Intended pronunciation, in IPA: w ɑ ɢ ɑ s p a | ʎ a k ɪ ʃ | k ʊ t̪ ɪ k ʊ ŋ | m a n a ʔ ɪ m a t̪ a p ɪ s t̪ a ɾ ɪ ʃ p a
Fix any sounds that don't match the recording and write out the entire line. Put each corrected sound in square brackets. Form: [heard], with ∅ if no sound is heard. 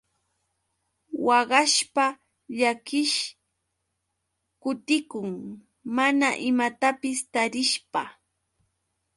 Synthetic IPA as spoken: w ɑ ɢ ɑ [ʃ] p a | ʎ a k ɪ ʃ | k ʊ t̪ ɪ k ʊ ŋ | m a n a ʔ ɪ m a t̪ a p ɪ s t̪ a ɾ ɪ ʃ p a